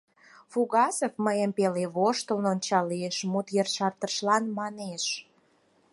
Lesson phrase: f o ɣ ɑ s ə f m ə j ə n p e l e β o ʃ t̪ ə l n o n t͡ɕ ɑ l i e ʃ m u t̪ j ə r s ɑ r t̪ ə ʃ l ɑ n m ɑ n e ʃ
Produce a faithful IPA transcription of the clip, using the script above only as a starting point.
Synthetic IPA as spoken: f u ɣ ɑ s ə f m ə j ə m p e l e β o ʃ t̪ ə l n o n t͡ɕ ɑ l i e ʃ m u t̪ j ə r ʃ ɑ r t̪ ə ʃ l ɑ n m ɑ n e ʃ